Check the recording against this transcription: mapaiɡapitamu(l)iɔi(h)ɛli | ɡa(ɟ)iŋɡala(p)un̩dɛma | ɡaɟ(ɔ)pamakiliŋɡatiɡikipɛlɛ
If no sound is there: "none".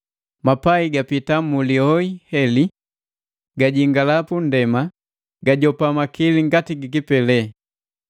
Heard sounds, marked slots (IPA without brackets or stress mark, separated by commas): l, h, ɟ, p, ɔ